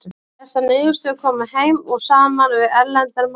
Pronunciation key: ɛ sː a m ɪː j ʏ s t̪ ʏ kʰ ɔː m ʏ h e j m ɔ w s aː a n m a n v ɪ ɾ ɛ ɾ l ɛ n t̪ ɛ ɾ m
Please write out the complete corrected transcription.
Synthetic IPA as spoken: ɛ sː a n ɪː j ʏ s t̪ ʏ kʰ ɔː m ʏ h e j m ɔ ɣ s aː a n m a n v ɪ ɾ ɛ ɾ l ɛ n t̪ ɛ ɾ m

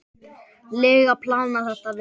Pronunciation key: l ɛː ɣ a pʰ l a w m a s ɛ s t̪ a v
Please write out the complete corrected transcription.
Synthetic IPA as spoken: l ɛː ɣ a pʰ l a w n a θ ɛ h t̪ a v

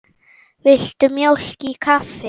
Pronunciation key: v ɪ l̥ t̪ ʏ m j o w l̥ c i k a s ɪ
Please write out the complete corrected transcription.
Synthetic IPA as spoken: v ɪ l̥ t̪ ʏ m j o w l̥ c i kʰ a f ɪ

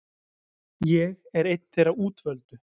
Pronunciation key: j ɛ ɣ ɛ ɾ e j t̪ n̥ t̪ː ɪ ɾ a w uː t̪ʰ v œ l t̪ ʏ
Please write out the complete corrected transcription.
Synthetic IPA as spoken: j ɛ ɣ ɛ ɾ e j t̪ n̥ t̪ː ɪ ɾ a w uː t̪ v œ l t̪ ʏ

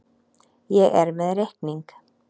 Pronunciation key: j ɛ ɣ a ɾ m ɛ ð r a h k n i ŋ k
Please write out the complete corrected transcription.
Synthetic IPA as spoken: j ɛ ɣ ɛ ɾ m ɛ ð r e h k n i ŋ k

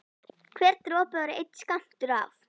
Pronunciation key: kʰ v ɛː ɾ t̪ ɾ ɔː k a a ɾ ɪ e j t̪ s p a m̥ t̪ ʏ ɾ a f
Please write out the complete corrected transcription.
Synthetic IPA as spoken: kʰ v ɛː ɾ t̪ ɾ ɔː p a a ɾ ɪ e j t̪ s k a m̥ t̪ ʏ ɾ a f

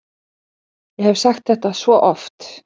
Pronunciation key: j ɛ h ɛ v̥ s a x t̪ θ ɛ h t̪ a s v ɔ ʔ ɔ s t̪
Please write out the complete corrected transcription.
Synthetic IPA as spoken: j ɛ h ɛ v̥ s a x t̪ θ ɛ h t̪ a s v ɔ ʔ ɔ f t̪

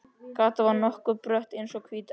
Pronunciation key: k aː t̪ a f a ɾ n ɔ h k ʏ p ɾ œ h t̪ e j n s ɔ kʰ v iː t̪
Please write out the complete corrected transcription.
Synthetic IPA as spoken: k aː t̪ a v a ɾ n ɔ h k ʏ p ɾ œ h t̪ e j n s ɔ kʰ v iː t̪

